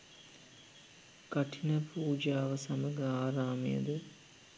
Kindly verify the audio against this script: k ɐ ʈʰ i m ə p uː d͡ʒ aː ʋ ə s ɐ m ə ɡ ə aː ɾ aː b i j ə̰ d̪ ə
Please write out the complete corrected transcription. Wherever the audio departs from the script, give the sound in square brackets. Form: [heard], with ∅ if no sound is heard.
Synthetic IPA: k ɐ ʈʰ i [n] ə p uː d͡ʒ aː ʋ ə s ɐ m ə ɡ ə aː ɾ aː [m] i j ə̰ d̪ ə